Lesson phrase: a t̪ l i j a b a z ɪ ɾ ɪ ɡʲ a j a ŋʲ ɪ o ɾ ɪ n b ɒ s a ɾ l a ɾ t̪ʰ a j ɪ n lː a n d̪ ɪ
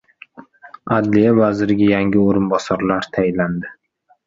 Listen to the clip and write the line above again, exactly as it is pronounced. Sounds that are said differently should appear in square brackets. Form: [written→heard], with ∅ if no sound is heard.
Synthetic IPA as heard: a [t̪→d̪] l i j a [b→v] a z ɪ ɾ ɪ ɡʲ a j a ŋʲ ɪ o ɾ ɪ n b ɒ s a ɾ l a ɾ t̪ʰ a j ɪ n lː a n d̪ ɪ